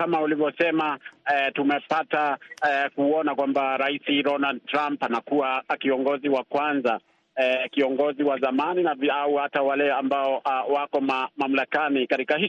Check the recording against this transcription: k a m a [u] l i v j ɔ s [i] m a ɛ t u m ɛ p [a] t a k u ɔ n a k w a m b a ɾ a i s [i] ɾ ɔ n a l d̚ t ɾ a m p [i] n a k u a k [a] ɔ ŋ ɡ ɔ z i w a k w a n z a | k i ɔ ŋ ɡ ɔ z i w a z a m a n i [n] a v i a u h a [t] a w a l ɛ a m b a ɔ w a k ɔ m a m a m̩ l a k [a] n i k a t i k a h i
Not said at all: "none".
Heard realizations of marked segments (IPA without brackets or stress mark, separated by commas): u, ɛ, a, i, a, i, n, t, a